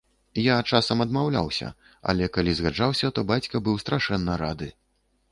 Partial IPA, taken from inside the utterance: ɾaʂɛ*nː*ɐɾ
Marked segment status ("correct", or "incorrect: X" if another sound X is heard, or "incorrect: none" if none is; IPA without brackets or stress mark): correct